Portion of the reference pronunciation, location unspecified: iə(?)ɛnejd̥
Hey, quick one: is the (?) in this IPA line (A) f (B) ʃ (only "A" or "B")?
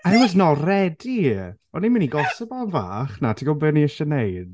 B